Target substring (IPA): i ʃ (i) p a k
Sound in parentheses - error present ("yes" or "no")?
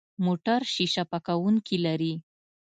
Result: yes